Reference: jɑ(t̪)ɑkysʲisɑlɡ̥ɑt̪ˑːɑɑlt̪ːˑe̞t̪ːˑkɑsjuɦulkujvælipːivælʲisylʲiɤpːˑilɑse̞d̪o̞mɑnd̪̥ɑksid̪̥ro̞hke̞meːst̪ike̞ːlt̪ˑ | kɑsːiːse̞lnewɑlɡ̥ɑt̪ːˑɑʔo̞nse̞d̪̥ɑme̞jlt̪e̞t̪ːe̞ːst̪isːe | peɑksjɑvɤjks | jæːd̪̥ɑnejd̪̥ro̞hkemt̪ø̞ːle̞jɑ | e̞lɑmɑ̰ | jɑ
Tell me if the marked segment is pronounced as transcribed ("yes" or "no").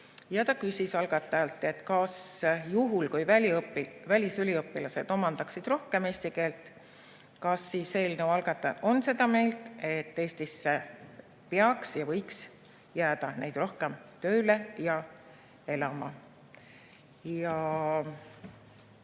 yes